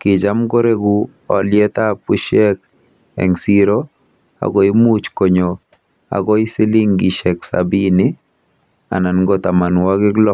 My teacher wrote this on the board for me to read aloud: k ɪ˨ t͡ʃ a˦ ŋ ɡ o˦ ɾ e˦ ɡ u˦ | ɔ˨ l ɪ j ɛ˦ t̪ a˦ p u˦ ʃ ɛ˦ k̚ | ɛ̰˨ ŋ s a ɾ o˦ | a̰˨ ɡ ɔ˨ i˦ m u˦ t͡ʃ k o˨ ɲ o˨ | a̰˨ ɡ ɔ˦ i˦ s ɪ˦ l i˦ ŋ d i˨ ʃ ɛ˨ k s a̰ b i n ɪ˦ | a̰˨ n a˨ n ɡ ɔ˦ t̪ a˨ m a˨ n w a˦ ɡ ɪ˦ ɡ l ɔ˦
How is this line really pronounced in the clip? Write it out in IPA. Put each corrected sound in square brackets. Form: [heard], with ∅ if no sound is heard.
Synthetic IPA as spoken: k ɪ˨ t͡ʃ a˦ [m] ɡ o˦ ɾ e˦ ɡ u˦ | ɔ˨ l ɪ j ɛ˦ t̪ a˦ p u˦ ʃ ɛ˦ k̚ | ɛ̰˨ ŋ s [i] ɾ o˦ | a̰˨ ɡ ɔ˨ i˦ m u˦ t͡ʃ k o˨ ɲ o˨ | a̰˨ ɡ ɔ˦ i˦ s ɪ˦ l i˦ ŋ [ɡ] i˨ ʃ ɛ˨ k s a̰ b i n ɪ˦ | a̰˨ n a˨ n ɡ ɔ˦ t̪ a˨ m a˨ n w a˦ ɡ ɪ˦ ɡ l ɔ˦

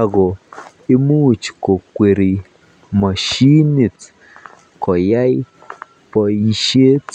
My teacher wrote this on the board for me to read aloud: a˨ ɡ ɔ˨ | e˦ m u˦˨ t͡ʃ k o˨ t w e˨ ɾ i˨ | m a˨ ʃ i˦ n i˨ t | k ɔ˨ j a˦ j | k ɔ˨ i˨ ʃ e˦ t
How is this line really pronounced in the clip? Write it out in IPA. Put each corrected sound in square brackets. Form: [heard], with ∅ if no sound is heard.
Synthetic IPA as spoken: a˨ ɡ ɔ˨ | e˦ m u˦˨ t͡ʃ k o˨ [k] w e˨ ɾ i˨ | m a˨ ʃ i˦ n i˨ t | k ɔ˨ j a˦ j | [p] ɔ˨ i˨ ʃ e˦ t

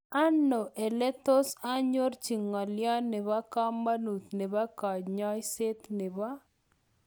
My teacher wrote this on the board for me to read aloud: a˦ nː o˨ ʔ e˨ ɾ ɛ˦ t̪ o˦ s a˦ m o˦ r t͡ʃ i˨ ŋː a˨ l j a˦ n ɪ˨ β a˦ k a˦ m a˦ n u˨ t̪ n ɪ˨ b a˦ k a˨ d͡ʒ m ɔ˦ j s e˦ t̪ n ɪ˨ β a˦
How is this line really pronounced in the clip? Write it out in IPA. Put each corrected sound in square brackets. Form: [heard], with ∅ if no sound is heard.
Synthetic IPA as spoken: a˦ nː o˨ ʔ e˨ [l] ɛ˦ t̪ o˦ s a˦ [ɲ] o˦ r t͡ʃ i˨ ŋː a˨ l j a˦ n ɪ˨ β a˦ k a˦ m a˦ n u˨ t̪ n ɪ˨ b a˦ k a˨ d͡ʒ [ɲ] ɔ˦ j s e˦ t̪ n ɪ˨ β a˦

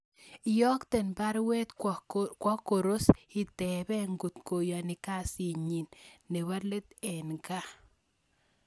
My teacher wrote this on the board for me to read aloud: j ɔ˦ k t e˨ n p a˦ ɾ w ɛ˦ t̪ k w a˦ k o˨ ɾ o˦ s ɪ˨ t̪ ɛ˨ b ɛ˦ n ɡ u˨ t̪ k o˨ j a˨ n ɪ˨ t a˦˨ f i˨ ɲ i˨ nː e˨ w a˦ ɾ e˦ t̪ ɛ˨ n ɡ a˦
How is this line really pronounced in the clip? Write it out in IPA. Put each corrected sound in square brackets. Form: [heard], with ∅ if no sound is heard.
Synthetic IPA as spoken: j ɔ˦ k t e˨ n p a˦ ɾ w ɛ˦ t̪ k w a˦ k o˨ ɾ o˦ s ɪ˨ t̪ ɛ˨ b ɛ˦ [ŋ] ɡ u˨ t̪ k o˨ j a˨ n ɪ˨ [k] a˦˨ [s] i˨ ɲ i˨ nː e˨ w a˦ [l] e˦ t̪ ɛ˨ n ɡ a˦

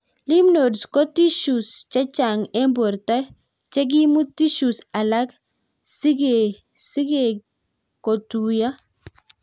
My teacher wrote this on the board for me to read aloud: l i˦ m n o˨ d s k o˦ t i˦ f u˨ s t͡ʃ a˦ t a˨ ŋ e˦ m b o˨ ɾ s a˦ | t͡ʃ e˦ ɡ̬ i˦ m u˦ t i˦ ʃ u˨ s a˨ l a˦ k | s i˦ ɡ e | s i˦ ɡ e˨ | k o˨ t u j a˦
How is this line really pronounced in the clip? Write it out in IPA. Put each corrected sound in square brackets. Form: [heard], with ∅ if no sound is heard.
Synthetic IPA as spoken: l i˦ m n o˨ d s k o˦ t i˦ [ʃ] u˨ s t͡ʃ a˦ [t͡ʃ] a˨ ŋ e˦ m b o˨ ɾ [t] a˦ | t͡ʃ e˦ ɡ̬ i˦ m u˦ t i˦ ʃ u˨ s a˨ l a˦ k | s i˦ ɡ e | s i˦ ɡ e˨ | k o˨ t u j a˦

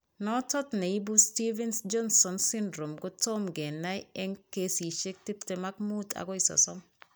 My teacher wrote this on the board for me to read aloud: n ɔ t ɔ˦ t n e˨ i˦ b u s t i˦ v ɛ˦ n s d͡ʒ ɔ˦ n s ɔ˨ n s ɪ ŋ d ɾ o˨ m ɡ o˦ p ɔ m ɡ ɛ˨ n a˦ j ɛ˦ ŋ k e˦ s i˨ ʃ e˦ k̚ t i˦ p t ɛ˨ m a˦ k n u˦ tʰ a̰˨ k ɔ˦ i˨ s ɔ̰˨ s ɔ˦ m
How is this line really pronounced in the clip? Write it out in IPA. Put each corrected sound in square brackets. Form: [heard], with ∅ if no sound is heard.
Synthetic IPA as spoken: n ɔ t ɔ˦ t n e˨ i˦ b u s t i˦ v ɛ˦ n s d͡ʒ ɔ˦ n s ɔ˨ n s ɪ [n] d ɾ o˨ m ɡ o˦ [t] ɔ m ɡ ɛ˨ n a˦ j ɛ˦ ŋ k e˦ s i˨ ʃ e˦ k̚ t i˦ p t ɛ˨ m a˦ k [m] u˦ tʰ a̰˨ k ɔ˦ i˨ s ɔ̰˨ s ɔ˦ m

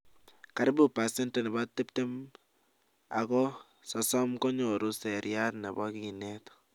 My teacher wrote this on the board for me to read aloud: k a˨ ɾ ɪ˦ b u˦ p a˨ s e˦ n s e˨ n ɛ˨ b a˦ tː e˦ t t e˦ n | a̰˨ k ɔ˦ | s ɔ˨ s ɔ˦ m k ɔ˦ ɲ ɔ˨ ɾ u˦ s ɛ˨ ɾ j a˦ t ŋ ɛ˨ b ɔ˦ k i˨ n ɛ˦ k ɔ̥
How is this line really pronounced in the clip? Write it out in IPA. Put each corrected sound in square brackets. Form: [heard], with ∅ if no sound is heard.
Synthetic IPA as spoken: k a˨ ɾ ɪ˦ b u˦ p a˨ s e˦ n [t] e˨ n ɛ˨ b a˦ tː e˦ [p] t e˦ [m] | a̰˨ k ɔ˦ | s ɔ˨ s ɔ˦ m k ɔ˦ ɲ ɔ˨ ɾ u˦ s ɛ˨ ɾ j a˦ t [n] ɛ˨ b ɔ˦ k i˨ n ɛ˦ [t] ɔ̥

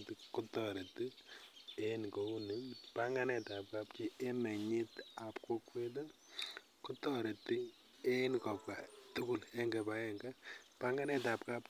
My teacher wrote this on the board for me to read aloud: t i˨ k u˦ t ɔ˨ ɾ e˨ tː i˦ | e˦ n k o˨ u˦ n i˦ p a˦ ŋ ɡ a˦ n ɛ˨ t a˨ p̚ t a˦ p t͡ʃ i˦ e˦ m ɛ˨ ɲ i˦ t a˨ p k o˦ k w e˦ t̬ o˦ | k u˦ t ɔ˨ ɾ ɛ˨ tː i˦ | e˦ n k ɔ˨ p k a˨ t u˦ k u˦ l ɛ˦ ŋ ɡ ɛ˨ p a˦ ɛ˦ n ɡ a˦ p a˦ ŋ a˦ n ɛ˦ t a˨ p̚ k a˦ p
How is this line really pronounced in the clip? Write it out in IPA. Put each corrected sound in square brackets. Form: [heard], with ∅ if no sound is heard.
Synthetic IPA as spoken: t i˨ k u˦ t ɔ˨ ɾ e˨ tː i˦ | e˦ n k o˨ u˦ n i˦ p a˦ ŋ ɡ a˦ n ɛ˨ t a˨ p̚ [k] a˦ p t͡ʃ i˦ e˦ m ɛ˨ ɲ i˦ t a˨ p k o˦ k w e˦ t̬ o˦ | k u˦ t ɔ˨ ɾ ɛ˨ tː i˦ | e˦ n k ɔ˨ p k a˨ t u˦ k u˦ l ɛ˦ ŋ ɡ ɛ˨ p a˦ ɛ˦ [ŋ] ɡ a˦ p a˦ ŋ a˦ n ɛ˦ t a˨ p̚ k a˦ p

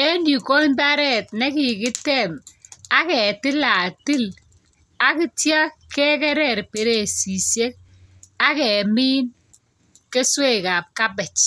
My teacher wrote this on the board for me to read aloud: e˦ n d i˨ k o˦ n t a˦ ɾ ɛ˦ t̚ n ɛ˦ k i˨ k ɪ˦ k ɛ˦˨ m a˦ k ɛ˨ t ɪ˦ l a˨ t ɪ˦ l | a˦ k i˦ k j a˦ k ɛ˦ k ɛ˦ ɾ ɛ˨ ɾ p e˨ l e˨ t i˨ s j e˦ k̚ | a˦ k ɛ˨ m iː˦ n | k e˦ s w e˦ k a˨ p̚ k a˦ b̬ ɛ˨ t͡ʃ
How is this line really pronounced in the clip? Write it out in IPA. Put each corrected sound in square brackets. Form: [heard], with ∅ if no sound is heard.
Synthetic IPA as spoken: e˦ n d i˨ k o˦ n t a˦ ɾ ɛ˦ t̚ n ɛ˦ k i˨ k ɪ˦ [t] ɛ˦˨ m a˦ k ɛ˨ t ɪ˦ l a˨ t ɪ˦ l | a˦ k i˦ [t] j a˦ k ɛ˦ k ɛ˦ ɾ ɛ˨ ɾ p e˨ [ɾ] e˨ [s] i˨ s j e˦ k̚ | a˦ k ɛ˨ m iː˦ n | k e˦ s w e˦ k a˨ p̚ k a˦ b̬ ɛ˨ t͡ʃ

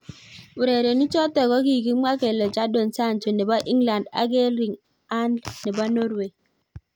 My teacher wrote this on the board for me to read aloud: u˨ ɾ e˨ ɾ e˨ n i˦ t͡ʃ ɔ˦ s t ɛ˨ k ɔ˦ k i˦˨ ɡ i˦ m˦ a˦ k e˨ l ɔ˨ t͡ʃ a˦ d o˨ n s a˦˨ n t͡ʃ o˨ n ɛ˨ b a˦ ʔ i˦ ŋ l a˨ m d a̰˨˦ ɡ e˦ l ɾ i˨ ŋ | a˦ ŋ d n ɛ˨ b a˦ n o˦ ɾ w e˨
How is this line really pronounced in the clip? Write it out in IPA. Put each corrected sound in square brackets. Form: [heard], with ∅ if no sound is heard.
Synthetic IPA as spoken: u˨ ɾ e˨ ɾ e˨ n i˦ t͡ʃ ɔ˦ [∅] t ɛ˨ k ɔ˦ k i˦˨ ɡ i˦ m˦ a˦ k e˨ l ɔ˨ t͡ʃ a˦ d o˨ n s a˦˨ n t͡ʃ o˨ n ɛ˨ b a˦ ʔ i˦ ŋ l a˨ [n] d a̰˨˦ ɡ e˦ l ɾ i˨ ŋ | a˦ [n] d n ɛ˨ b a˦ n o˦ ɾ w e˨

